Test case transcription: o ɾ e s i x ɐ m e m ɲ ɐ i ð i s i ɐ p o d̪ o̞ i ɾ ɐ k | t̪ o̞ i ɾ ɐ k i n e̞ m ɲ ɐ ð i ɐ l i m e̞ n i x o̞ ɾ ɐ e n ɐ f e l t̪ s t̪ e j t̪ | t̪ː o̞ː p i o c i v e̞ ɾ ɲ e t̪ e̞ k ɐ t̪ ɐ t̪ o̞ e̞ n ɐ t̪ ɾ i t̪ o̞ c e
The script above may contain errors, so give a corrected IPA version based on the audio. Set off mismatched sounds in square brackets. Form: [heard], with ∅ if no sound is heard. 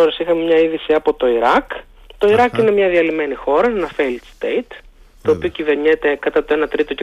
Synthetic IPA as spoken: o ɾ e s i x ɐ m e m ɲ ɐ i ð i s i ɐ p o [t̪] o̞ i ɾ ɐ k | t̪ o̞ i ɾ ɐ k i n e̞ m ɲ ɐ ð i ɐ l i m e̞ n i x o̞ ɾ ɐ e n ɐ f e l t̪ s t̪ e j t̪ | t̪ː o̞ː p i o c i v e̞ ɾ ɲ e t̪ e̞ k ɐ t̪ ɐ t̪ o̞ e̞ n ɐ t̪ ɾ i t̪ o̞ c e